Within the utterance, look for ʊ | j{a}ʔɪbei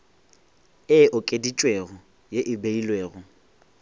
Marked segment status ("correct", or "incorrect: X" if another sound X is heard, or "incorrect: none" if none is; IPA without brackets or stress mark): incorrect: e